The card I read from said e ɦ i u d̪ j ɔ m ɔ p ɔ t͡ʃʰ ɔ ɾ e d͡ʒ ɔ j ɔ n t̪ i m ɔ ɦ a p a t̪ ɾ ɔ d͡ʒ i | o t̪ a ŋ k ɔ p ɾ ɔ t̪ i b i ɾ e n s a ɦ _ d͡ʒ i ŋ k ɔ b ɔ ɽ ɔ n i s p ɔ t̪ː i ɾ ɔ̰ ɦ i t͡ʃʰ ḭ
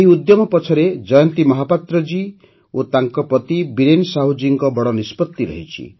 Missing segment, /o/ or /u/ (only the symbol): u